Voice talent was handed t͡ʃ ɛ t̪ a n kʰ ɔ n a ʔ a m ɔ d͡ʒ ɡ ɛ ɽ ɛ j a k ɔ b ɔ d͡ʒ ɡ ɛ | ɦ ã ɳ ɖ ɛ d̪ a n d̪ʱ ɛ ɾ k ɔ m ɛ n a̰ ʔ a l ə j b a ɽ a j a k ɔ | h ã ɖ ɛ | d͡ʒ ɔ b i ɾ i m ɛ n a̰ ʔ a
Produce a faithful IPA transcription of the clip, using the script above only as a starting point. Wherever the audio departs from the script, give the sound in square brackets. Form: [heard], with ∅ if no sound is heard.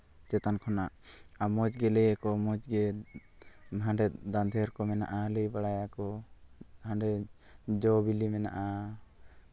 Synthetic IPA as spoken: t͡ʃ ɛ t̪ a n kʰ ɔ n a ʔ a m ɔ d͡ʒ ɡ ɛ [l] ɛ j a k ɔ [m] ɔ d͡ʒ ɡ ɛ | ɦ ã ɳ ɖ ɛ d̪ a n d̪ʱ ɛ ɾ k ɔ m ɛ n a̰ ʔ a l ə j b a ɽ a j a k ɔ | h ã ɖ ɛ | d͡ʒ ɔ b i [l] i m ɛ n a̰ ʔ a

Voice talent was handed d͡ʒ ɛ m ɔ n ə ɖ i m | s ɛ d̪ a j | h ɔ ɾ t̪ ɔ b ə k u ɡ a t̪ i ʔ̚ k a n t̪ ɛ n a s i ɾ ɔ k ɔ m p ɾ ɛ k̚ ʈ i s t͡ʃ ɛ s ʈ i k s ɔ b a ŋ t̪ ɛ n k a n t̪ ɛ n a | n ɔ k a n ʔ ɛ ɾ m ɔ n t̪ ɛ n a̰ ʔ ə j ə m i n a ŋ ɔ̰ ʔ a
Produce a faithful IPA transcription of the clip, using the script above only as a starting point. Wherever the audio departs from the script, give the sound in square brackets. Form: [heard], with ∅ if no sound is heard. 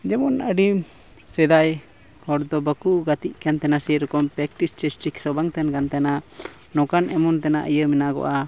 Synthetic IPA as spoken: d͡ʒ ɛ m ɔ n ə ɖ i m | s ɛ d̪ a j | h ɔ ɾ [d̪] ɔ b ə k u ɡ a t̪ i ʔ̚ k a n t̪ ɛ n a s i ɾ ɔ k ɔ m p ɾ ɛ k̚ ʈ i s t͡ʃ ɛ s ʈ i k s ɔ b a ŋ t̪ ɛ n k a n t̪ ɛ n a | n ɔ k a n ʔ ɛ [∅] m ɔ n t̪ ɛ n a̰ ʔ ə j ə m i n a [ɡ] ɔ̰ ʔ a

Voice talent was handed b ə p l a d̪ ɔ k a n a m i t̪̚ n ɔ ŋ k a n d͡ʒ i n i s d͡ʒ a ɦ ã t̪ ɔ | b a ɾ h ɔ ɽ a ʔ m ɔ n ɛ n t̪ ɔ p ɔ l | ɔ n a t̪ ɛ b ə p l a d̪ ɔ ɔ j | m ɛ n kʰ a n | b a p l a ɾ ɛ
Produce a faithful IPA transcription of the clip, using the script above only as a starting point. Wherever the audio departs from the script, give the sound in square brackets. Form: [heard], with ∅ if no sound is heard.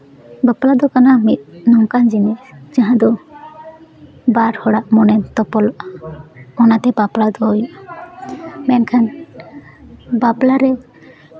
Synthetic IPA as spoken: b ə p l a d̪ ɔ k a n a m i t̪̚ n ɔ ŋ k a n d͡ʒ i n i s d͡ʒ a ɦ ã [d̪] ɔ | b a ɾ h ɔ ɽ a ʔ m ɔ n ɛ n t̪ ɔ p ɔ l | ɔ n a t̪ ɛ b [a] p l a d̪ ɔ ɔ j | m ɛ n kʰ a n | b a p l a ɾ ɛ

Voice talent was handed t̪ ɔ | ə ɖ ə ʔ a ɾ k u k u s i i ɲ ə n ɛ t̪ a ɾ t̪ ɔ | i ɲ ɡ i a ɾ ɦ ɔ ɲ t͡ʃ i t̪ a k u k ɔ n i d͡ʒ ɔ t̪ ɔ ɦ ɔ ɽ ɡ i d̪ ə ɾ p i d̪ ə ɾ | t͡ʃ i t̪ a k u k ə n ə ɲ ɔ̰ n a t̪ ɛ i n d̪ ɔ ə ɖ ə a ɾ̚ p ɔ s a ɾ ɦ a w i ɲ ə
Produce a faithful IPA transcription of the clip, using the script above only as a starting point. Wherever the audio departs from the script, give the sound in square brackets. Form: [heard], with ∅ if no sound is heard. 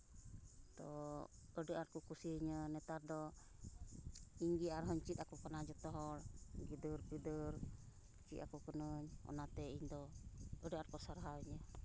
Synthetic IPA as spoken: t̪ ɔ | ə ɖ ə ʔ a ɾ k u k u s i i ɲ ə n ɛ t̪ a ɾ [d̪] ɔ | i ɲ ɡ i a ɾ ɦ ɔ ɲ t͡ʃ i t̪ a k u k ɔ n [a] d͡ʒ ɔ t̪ ɔ ɦ ɔ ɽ ɡ i d̪ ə ɾ p i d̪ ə ɾ | t͡ʃ i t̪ a k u k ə n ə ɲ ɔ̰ n a t̪ ɛ i [ɲ] d̪ ɔ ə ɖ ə a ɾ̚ [k] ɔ s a ɾ ɦ a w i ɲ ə

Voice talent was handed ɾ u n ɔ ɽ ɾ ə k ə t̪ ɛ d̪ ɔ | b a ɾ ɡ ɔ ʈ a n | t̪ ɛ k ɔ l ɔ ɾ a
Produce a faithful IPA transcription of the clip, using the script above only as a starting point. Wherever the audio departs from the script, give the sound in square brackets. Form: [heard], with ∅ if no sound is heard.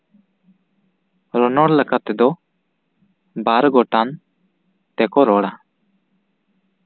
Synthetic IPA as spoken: ɾ [ɔ] n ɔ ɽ [l] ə k [a] t̪ ɛ d̪ ɔ | b a ɾ ɡ ɔ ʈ a n | t̪ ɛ k ɔ [ɾ] ɔ [ɽ] a

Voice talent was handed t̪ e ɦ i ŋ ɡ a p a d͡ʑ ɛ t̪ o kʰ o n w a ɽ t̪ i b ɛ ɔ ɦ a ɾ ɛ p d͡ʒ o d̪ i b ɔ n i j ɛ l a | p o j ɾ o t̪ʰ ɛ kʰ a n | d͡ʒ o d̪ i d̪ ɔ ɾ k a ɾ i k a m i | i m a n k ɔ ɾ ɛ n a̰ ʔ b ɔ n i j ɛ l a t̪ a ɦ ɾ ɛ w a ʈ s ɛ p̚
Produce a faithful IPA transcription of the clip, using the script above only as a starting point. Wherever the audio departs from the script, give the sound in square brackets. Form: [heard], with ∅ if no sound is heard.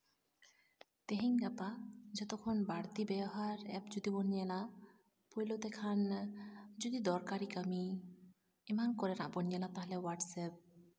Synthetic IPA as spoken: t̪ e ɦ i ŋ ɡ a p a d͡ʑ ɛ t̪ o kʰ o n [b] a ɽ t̪ i b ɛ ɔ ɦ a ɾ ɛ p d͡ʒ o d̪ i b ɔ n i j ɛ l a | p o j [l] o [t̪] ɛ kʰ a n | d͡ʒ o d̪ i d̪ ɔ ɾ k a ɾ i k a m i | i m a n k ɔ ɾ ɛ n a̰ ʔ b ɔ n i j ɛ l a t̪ a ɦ [l] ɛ w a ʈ s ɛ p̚

